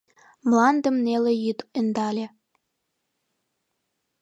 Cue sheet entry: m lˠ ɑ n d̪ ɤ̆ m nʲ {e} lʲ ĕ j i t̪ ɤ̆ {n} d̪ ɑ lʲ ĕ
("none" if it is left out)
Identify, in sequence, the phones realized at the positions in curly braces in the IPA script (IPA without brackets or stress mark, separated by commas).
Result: e, n